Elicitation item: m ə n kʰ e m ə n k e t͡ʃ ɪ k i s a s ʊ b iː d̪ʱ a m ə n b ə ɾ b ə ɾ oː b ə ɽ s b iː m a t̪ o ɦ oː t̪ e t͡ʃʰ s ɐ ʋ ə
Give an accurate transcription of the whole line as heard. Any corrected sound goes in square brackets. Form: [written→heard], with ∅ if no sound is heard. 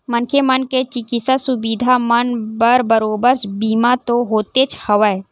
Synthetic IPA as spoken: m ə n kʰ e m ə n k e t͡ʃ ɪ k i s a s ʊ b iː d̪ʱ a m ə n b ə ɾ b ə ɾ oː b ə [ɽ→ɾ] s b iː m a t̪ o ɦ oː t̪ e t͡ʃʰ [s→h] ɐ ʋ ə